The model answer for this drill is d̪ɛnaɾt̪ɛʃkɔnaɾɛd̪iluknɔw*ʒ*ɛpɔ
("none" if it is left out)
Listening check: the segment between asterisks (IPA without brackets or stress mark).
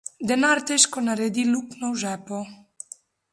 ʒ